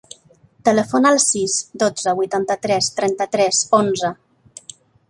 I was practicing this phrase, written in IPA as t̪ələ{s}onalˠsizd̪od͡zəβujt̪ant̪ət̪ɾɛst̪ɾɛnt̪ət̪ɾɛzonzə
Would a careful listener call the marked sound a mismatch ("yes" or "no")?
yes